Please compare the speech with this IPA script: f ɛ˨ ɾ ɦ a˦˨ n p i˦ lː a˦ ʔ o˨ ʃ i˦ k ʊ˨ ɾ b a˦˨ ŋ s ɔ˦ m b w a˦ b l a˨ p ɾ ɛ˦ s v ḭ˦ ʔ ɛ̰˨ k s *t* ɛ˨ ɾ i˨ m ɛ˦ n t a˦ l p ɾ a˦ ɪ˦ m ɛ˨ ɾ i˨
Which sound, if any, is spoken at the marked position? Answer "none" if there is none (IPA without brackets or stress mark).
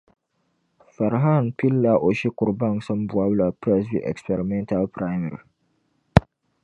p